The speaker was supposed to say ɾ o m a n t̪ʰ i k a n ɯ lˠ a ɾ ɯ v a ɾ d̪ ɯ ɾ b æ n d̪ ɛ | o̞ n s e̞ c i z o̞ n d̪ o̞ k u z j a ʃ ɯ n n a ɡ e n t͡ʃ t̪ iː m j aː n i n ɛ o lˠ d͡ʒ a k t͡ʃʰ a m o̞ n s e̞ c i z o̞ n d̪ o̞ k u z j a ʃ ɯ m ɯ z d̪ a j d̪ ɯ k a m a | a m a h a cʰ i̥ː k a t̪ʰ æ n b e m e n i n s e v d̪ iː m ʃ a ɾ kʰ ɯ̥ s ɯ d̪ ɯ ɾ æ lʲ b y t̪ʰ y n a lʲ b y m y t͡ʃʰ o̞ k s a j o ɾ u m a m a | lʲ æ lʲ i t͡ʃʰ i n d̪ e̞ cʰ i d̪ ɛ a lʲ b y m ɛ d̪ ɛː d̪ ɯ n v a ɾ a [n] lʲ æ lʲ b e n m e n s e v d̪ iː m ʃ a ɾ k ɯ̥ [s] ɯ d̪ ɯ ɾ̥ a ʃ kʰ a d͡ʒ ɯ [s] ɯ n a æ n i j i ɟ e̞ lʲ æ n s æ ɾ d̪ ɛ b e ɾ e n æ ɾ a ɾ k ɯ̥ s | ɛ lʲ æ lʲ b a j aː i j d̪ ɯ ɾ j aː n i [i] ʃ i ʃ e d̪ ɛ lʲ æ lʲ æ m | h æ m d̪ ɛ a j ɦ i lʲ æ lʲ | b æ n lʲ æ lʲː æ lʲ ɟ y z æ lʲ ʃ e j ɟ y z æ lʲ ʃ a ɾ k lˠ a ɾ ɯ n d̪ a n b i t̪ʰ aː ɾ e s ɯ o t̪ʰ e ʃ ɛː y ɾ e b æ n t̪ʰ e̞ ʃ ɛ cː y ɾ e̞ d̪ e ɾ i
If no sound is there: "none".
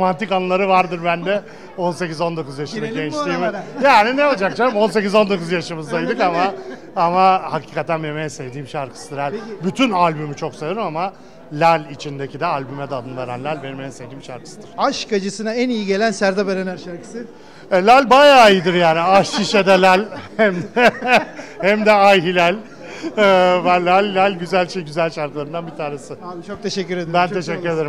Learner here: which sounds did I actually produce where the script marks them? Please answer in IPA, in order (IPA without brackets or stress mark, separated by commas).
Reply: n, s, s, a